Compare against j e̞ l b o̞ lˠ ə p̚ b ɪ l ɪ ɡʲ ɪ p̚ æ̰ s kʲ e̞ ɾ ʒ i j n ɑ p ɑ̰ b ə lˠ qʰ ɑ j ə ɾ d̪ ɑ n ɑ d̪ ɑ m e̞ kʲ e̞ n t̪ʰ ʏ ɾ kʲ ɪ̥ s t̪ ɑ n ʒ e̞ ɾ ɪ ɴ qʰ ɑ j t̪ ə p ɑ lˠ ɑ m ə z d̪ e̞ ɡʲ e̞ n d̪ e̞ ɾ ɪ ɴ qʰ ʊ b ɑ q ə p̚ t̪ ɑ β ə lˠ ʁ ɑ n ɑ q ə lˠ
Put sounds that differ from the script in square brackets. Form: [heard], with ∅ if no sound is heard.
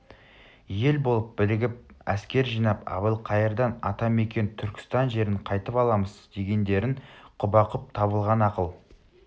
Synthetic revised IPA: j e̞ l b o̞ lˠ ə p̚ b ɪ l ɪ ɡʲ ɪ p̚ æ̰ s kʲ e̞ ɾ ʒ i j n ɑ p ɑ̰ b ə lˠ qʰ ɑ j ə ɾ d̪ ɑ n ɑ [t̪] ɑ m e̞ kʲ e̞ n t̪ʰ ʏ ɾ kʲ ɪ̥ s t̪ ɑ n ʒ e̞ ɾ ɪ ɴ qʰ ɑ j t̪ ə p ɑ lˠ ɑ m ə z d̪ e̞ ɡʲ e̞ n d̪ e̞ ɾ ɪ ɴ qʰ ʊ b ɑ q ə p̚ [t̪ʰ] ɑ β ə lˠ ʁ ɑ n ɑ q ə lˠ